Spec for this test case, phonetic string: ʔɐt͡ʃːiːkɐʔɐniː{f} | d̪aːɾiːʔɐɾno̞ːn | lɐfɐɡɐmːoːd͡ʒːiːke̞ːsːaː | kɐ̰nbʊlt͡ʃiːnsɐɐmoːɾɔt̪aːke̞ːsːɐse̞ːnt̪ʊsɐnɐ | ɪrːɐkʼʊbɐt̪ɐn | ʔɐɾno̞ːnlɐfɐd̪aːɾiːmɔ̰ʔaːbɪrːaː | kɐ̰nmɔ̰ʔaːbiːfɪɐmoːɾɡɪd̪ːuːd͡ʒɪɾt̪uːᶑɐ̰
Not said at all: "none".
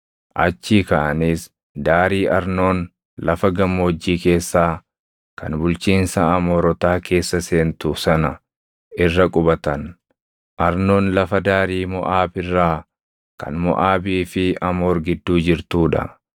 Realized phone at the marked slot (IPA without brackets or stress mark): s